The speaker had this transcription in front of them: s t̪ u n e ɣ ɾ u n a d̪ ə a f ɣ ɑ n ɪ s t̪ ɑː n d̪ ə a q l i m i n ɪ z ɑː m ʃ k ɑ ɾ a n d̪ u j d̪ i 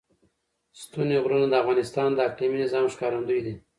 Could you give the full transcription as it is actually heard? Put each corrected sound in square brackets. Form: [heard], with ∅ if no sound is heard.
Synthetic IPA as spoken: s t̪ u n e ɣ ɾ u n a d̪ ə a f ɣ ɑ n ɪ s t̪ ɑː n d̪ ə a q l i m i n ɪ z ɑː m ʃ k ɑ ɾ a n d̪ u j d̪ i